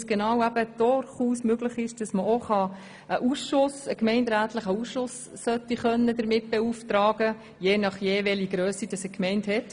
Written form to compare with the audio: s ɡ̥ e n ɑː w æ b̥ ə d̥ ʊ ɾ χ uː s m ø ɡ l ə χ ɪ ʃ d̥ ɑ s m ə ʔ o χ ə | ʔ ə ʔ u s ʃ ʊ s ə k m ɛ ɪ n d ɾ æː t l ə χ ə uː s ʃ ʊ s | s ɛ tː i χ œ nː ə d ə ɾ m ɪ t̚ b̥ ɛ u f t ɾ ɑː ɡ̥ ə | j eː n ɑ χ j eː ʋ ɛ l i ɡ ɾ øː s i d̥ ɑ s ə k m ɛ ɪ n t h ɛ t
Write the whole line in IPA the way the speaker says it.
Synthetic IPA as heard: s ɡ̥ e n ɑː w æ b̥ ə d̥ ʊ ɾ χ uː s m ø ɡ l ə χ ɪ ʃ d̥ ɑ s m ə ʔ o χ ɑ | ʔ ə ʔ u s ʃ ʊ s ə k m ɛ ɪ n d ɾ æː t l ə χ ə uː s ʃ ʊ s | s œ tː i χ œ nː ə d ə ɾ m ɪ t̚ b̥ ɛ u f t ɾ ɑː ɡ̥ ə | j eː n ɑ χ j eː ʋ ɛ l i ɡ ɾ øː s i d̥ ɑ s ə k m ɛ ɪ n t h ɛ t